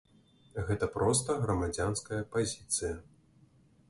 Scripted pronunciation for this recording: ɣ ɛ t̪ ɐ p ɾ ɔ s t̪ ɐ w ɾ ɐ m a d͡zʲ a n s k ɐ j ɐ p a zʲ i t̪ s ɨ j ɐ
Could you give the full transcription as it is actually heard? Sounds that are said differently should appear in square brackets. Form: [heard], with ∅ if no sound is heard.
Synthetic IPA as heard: ɣ ɛ t̪ ɐ p ɾ ɔ s t̪ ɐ [ɣ] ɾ ɐ m a d͡zʲ a n s k ɐ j ɐ p a zʲ i t̪ s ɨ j ɐ